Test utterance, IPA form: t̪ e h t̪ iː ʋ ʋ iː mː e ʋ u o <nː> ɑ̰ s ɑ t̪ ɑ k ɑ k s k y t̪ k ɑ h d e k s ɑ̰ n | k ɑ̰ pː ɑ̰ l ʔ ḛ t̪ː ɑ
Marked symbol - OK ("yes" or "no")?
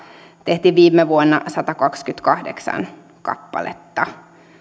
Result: yes